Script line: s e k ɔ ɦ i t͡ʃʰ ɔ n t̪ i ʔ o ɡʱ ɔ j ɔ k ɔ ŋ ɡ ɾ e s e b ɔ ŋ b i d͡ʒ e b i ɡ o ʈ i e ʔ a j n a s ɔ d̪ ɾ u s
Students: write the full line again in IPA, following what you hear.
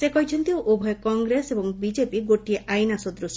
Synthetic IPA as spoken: s e k ɔ ɦ i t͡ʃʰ ɔ n t̪ i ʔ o bʱ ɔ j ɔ k ɔ ŋ ɡ ɾ e s e b ɔ ŋ b i d͡ʒ e p i ɡ o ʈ i e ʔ a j n a s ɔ d̪ ɾ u s